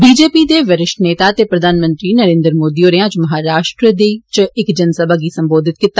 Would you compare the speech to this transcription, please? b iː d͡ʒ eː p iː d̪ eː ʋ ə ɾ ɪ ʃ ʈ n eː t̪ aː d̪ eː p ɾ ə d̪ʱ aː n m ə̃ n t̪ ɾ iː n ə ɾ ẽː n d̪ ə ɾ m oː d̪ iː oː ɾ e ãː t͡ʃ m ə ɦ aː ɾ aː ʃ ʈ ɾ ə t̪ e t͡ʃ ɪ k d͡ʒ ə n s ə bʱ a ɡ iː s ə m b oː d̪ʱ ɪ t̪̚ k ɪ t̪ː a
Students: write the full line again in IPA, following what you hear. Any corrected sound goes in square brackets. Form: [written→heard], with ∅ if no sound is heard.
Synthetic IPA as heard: b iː d͡ʒ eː p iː d̪ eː ʋ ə ɾ ɪ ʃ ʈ n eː t̪ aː [d̪→t̪] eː p ɾ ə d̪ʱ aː n m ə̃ n t̪ ɾ iː n ə ɾ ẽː n d̪ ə ɾ m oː d̪ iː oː ɾ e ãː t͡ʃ m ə ɦ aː ɾ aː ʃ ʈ ɾ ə [t̪→d̪] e t͡ʃ ɪ k d͡ʒ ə n s ə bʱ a ɡ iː s ə m b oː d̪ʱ ɪ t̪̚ k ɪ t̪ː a

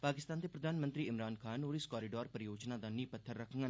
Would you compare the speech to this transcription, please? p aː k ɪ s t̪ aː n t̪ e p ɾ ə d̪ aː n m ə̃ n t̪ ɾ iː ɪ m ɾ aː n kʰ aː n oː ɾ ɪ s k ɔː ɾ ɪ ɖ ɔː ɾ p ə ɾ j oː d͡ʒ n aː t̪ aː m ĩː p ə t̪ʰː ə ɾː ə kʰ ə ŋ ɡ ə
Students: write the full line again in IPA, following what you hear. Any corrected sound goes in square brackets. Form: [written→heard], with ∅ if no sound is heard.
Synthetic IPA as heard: p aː k ɪ s t̪ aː n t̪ e p ɾ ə d̪ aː n m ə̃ n t̪ ɾ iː ɪ m ɾ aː n kʰ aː n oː ɾ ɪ s k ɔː ɾ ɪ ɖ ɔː ɾ p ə ɾ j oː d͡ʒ n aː [t̪→d̪] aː [m→n] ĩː p ə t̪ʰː ə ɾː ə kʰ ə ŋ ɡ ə

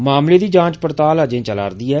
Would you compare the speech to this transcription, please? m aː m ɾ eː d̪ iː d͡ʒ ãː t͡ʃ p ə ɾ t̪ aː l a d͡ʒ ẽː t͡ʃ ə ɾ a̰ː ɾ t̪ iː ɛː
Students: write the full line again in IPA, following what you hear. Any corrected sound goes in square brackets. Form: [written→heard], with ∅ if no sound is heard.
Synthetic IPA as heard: m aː m [ɾ→l] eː d̪ iː d͡ʒ ãː t͡ʃ p ə ɾ t̪ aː l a d͡ʒ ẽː t͡ʃ ə [ɾ→l] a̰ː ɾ [t̪→d̪] iː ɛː

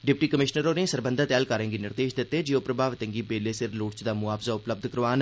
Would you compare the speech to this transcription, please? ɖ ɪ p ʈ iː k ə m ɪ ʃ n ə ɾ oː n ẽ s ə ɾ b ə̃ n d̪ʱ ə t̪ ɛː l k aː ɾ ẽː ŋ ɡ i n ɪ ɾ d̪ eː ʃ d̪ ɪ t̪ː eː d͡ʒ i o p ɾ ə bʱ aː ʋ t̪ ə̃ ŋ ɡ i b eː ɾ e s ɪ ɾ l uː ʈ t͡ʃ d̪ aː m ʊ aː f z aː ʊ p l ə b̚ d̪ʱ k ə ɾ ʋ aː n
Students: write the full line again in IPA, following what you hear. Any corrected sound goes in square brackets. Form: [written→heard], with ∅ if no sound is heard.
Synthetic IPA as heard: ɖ ɪ p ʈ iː k ə m ɪ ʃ n ə ɾ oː n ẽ s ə ɾ b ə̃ n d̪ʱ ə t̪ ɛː l k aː ɾ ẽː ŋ ɡ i n ɪ ɾ d̪ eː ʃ d̪ ɪ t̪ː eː d͡ʒ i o p ɾ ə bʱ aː ʋ t̪ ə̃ ŋ ɡ i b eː [ɾ→l] e s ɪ ɾ l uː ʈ t͡ʃ d̪ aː m ʊ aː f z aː ʊ p l ə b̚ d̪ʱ k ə ɾ ʋ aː n

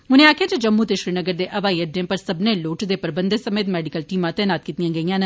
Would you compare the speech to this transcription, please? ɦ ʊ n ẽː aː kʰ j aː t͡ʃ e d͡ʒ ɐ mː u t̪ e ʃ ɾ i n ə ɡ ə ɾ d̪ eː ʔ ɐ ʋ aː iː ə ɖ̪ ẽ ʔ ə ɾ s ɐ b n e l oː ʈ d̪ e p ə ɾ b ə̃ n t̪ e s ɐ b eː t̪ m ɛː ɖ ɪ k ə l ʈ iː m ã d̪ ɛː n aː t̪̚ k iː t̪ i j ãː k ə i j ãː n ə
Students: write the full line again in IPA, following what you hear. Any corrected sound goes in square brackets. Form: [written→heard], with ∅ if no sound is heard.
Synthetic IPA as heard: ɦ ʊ n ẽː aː kʰ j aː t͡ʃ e d͡ʒ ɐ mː u t̪ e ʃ ɾ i n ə ɡ ə ɾ d̪ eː ʔ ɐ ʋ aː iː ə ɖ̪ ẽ [ʔ→p] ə ɾ s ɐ b n e l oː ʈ d̪ e p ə ɾ b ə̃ n [t̪→d̪] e s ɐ [b→m] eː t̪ m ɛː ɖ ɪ k ə l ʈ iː m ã [d̪→t̪] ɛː n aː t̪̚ k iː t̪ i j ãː [k→ɡ] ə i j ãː n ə

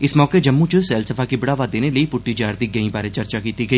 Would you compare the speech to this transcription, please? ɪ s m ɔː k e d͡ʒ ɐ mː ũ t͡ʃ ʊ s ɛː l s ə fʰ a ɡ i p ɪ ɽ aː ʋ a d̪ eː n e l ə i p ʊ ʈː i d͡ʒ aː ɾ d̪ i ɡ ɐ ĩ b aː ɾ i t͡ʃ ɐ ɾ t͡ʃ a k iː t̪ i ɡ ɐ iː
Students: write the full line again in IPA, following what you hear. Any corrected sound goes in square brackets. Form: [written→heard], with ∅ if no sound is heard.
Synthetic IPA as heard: ɪ s m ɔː k e d͡ʒ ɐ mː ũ t͡ʃ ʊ s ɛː l s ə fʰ a [ɡ→k] i [p→b] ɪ ɽ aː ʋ a d̪ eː n e l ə i p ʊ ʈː i d͡ʒ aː ɾ d̪ i ɡ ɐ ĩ b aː ɾ [i→e] t͡ʃ ɐ ɾ t͡ʃ a k iː t̪ i ɡ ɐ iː

